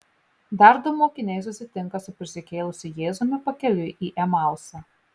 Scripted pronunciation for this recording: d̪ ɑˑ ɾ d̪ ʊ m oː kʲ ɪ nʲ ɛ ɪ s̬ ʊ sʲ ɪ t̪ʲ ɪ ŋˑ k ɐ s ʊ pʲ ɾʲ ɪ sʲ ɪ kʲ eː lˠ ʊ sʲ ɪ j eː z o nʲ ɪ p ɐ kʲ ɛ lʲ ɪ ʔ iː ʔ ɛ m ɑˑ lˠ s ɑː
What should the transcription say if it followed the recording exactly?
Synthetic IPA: d̪ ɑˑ ɾ d̪ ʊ m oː kʲ ɪ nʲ ɛ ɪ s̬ ʊ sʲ ɪ t̪ʲ ɪ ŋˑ k ɐ s ʊ pʲ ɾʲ ɪ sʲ ɪ kʲ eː lˠ ʊ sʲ ɪ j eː z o mʲ ɪ p ɐ kʲ ɛ lʲ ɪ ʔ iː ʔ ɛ m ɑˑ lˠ s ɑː